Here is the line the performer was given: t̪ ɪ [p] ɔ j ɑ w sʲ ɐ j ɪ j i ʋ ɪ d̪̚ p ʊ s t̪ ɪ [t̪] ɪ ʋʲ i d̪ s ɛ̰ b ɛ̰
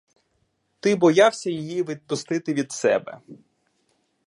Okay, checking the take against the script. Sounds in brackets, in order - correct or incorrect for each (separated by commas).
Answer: incorrect, correct